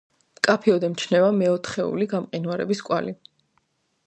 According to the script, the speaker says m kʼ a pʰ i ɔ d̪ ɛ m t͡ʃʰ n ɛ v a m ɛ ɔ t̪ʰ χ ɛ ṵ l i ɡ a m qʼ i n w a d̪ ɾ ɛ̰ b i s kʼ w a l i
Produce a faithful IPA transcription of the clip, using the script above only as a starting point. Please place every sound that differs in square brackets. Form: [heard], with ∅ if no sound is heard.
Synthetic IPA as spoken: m kʼ a pʰ i ɔ d̪ ɛ m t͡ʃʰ n ɛ v a m ɛ ɔ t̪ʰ χ ɛ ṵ l i ɡ a m qʼ i n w a [∅] ɾ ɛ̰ b i s kʼ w a l i

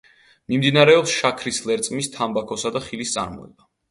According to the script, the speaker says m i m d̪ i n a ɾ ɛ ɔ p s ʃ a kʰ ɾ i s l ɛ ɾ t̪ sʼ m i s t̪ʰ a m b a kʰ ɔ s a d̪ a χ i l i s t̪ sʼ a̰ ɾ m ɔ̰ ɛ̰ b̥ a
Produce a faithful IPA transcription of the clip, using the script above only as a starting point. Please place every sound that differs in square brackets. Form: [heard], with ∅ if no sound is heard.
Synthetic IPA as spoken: m i m d̪ i n a ɾ ɛ ɔ p s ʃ a kʰ ɾ i s l ɛ ɾ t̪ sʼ m i s t̪ʰ a m b a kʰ ɔ s a d̪ a χ i l i s t̪ sʼ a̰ ɾ m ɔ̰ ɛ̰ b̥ a

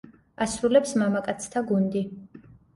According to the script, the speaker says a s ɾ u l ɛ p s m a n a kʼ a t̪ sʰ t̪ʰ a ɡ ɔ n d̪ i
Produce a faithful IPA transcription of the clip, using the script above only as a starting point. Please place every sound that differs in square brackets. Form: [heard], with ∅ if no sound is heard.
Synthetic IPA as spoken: a s ɾ u l ɛ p s m a [m] a kʼ a t̪ sʰ t̪ʰ a ɡ [u] n d̪ i

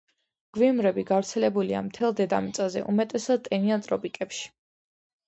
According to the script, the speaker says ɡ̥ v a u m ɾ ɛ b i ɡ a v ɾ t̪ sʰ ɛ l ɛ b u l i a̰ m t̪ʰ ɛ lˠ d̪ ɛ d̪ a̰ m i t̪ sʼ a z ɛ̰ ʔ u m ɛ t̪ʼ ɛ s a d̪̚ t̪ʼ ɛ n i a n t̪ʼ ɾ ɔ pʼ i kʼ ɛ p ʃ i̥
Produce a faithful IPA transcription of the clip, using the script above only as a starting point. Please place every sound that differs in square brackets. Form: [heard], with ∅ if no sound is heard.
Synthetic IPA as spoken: ɡ̥ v [i] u m ɾ ɛ b i ɡ a v ɾ t̪ sʰ ɛ l ɛ b u l i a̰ m t̪ʰ ɛ lˠ d̪ ɛ d̪ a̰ m i t̪ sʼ a z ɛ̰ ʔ u m ɛ t̪ʼ ɛ s a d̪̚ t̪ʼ ɛ n i a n t̪ʼ ɾ ɔ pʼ i kʼ ɛ p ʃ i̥

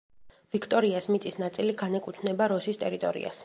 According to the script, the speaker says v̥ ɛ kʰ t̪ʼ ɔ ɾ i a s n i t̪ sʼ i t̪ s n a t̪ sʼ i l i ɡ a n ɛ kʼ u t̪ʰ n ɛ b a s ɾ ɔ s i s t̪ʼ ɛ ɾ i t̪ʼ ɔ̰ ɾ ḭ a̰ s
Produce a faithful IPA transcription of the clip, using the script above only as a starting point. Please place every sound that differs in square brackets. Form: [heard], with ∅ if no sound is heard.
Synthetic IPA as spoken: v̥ [i] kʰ t̪ʼ ɔ ɾ i a s [m] i t̪ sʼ i [∅] s n a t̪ sʼ i l i ɡ a n ɛ kʼ u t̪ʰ n ɛ b a [∅] ɾ ɔ s i s t̪ʼ ɛ ɾ i t̪ʼ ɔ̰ ɾ ḭ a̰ s

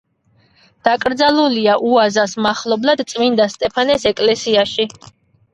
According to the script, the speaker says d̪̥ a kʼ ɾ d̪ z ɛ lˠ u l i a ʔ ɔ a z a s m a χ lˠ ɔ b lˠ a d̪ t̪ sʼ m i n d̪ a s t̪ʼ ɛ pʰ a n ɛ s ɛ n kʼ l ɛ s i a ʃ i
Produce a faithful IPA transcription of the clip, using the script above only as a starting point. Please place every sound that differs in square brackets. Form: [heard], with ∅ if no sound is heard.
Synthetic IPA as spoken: d̪̥ a kʼ ɾ d̪ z [a] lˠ u l i a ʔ [u] a z a s m a χ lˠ ɔ b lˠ a d̪ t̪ sʼ m i n d̪ a s t̪ʼ ɛ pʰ a n ɛ s ɛ [∅] kʼ l ɛ s i a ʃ i

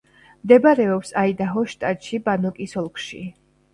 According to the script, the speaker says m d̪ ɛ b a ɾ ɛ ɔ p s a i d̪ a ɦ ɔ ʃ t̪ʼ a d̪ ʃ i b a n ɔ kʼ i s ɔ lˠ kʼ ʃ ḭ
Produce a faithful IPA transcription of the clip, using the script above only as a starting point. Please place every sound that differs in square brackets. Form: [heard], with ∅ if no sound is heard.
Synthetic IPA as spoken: m d̪ ɛ b a ɾ ɛ ɔ p s a i d̪ a ɦ ɔ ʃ t̪ʼ a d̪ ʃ i b a n ɔ kʼ i s ɔ lˠ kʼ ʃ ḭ

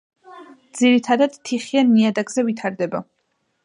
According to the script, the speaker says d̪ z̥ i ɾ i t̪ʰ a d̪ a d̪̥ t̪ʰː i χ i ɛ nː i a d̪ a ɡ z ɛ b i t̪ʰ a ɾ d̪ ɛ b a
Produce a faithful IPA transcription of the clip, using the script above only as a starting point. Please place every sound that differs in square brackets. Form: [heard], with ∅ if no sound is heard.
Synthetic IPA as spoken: d̪ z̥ i ɾ i t̪ʰ a d̪ a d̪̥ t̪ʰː i χ i [a] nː i a d̪ a ɡ z ɛ [v] i t̪ʰ a ɾ d̪ ɛ b a

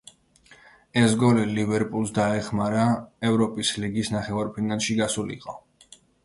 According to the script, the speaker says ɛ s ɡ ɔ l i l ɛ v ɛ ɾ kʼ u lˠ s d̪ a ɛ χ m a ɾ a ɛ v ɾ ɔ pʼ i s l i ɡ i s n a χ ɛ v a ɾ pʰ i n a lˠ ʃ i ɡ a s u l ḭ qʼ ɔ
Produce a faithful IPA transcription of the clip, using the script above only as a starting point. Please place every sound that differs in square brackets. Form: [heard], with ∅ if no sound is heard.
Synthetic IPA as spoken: ɛ s ɡ ɔ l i l [i] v ɛ ɾ [pʼ] u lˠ s d̪ a ɛ χ m a ɾ a ɛ v ɾ ɔ pʼ i s l i ɡ i s n a χ ɛ v a ɾ pʰ i n a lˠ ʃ i ɡ a s u l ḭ qʼ ɔ

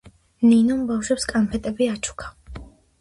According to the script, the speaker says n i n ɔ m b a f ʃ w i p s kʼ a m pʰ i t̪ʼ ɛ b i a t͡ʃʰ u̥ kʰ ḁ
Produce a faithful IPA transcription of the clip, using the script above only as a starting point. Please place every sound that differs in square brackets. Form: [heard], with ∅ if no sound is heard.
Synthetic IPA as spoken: n i n ɔ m b a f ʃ w [ɛ] p s kʼ a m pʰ [ɛ] t̪ʼ ɛ b i a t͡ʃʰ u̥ kʰ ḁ

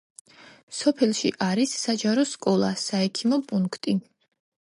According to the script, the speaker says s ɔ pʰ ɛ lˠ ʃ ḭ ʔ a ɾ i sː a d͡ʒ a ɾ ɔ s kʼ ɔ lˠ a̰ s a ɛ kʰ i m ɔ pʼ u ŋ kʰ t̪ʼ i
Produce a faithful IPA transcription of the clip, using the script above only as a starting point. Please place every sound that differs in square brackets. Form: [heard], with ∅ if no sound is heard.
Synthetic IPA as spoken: s ɔ pʰ ɛ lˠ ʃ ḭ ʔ a ɾ i sː a d͡ʒ a ɾ ɔ s kʼ ɔ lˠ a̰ s a ɛ kʰ i m ɔ pʼ u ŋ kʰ t̪ʼ i

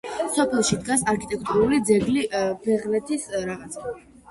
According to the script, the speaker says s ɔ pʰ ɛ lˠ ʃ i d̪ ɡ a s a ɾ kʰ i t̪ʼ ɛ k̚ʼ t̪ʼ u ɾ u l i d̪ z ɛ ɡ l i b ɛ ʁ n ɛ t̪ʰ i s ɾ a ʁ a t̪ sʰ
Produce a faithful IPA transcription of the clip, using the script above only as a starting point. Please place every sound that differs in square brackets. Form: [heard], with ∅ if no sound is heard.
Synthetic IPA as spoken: s ɔ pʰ ɛ lˠ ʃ i d̪ ɡ a s a ɾ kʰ i t̪ʼ ɛ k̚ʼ t̪ʼ u ɾ u l i d̪ z ɛ ɡ l i b ɛ ʁ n ɛ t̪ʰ i s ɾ a ʁ a t̪ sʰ

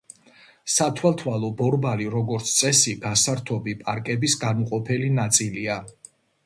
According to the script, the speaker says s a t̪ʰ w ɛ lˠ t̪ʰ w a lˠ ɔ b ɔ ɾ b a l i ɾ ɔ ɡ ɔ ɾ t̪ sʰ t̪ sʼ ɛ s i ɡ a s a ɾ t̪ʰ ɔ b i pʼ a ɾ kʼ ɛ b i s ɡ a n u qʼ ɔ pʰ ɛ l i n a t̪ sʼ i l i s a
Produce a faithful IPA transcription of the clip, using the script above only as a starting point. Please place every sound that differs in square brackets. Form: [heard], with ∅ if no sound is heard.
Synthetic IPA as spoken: s a t̪ʰ w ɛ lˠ t̪ʰ w a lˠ ɔ b ɔ ɾ b a l i ɾ ɔ ɡ ɔ ɾ t̪ sʰ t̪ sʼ ɛ s i ɡ a s a ɾ t̪ʰ ɔ b i pʼ a ɾ kʼ ɛ b i s ɡ a n u qʼ ɔ pʰ ɛ l i n a t̪ sʼ i l i [∅] a

